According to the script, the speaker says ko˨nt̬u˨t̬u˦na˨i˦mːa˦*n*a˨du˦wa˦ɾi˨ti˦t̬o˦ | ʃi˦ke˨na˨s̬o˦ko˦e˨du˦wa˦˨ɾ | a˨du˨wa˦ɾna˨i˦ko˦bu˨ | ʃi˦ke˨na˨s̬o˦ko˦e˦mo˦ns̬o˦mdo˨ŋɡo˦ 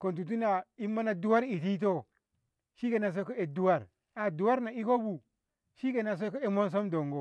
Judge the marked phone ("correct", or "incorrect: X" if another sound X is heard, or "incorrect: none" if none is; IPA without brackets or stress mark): correct